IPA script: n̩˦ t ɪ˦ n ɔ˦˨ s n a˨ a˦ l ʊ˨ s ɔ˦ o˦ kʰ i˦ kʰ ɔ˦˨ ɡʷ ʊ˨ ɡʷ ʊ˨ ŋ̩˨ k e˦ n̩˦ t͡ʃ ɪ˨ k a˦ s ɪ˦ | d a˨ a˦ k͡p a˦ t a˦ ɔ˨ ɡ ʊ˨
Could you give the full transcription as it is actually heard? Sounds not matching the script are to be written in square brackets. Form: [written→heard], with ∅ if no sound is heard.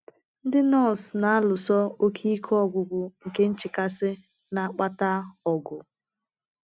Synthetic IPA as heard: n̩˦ [t→d] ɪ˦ n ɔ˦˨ s n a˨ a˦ l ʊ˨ s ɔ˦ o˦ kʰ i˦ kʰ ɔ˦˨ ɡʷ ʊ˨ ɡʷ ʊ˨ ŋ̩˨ k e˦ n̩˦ t͡ʃ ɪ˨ k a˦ s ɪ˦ | [d→n] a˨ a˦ k͡p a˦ t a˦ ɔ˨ ɡ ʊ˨

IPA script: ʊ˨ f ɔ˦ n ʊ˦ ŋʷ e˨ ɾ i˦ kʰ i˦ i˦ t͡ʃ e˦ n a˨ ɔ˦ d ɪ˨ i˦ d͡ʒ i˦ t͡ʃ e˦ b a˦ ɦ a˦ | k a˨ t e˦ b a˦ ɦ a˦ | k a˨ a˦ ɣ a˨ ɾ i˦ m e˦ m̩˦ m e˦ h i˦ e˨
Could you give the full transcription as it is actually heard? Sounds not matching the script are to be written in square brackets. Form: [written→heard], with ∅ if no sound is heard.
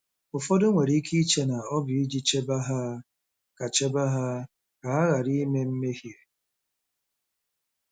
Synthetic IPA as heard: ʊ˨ f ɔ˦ [n→d] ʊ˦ ŋʷ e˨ ɾ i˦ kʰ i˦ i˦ t͡ʃ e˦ n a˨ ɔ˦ [d→b] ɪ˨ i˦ d͡ʒ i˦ t͡ʃ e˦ b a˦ ɦ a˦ | k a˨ [t→t͡ʃ] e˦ b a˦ ɦ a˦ | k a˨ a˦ ɣ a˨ ɾ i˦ m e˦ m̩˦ m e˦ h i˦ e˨

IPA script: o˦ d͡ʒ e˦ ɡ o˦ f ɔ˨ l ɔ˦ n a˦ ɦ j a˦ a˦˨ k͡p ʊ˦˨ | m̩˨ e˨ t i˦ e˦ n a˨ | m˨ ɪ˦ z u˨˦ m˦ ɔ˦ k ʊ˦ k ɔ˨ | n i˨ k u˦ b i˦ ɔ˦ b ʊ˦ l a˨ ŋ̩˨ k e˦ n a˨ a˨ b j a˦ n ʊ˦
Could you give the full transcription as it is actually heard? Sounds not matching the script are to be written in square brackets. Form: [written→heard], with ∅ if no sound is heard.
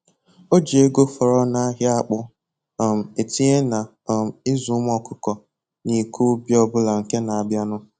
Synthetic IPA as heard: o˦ d͡ʒ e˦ ɡ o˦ f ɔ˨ [l→ɾ] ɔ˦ n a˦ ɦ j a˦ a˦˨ k͡p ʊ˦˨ | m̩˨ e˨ t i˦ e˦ n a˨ | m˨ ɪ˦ z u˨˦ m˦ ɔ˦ k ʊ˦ k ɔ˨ | n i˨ k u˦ b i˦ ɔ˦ b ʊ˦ l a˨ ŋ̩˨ k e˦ n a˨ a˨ b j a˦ n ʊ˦

